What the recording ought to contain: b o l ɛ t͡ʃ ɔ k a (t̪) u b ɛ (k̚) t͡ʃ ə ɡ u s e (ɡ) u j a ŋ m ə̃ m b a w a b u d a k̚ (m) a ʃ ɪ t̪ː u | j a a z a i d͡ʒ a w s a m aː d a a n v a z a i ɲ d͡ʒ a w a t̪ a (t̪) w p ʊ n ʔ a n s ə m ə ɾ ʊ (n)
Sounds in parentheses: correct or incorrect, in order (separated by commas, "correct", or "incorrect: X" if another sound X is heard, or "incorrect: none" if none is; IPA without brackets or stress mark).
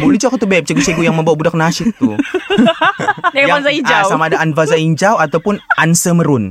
correct, incorrect: p̚, correct, incorrect: n, incorrect: none, correct